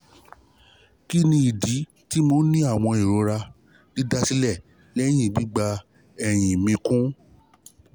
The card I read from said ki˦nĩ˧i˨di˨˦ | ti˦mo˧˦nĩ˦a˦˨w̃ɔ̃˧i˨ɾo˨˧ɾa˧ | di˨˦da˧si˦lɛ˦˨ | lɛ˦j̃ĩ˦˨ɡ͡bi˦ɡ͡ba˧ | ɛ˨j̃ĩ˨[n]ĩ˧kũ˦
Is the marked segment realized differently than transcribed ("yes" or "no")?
yes